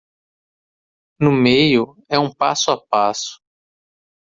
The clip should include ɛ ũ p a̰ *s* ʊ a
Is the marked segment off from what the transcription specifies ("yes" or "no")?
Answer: no